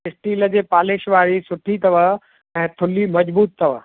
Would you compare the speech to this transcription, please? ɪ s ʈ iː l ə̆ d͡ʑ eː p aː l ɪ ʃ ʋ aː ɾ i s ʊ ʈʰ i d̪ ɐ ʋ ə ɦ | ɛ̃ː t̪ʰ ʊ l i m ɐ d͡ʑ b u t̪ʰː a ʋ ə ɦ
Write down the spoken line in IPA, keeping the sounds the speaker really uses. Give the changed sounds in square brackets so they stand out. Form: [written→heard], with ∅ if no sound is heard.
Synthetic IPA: ɪ s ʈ iː l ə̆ d͡ʑ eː p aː l ɪ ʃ ʋ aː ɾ i s ʊ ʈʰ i [d̪→t̪] ɐ ʋ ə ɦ | ɛ̃ː t̪ʰ ʊ l i m ɐ d͡ʑ b [u→uː] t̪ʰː [a→ɐ] ʋ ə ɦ